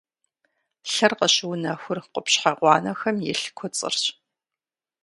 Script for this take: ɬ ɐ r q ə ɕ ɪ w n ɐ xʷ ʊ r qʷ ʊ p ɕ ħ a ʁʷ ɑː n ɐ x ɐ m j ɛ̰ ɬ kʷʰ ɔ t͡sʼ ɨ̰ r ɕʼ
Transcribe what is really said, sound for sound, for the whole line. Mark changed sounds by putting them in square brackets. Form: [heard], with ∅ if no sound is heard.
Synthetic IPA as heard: ɬ ɐ r q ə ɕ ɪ w n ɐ xʷ ʊ r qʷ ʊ p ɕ ħ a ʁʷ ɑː n ɐ x ɐ m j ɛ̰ ɬ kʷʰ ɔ t͡sʼ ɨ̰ r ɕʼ